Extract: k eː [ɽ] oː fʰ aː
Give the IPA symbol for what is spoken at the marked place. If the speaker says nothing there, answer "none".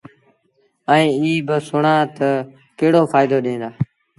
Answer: ɽ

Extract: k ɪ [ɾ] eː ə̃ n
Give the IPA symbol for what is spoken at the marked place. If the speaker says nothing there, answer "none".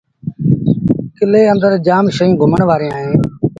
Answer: l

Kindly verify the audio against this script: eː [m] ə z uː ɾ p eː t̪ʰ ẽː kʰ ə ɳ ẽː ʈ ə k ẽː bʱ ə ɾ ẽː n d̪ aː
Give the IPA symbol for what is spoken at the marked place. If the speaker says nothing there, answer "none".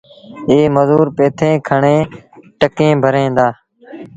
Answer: m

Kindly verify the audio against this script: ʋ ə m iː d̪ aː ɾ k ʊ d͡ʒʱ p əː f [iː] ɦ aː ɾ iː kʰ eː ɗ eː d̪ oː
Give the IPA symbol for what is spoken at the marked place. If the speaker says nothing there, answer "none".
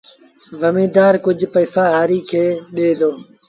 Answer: aː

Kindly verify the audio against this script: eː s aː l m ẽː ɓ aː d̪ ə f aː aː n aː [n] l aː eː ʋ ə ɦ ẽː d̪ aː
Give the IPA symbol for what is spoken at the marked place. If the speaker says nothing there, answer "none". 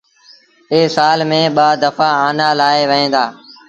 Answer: none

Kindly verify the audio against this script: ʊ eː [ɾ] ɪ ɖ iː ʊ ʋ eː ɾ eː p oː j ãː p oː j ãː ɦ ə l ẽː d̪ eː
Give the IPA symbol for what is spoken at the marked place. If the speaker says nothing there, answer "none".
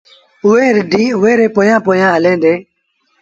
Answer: ɾ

